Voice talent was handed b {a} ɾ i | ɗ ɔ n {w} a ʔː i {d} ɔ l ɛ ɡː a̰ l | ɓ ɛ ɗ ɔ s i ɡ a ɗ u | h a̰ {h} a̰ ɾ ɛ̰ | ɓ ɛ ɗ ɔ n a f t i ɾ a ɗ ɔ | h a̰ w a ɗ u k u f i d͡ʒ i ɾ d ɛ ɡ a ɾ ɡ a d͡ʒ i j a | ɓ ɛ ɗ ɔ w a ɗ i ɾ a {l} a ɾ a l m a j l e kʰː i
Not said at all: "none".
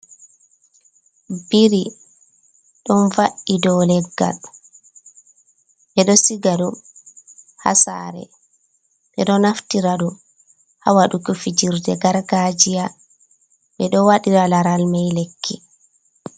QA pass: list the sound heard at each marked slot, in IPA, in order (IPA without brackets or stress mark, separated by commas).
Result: i, v, d, s, l